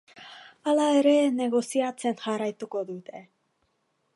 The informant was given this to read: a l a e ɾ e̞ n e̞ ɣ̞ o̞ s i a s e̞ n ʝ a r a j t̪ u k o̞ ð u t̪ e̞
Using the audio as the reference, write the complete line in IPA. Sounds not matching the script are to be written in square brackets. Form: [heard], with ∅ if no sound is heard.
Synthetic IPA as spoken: a l a e ɾ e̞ n e̞ ɣ̞ o̞ s i a [t͡s] e̞ n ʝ a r a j t̪ u k o̞ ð u t̪ e̞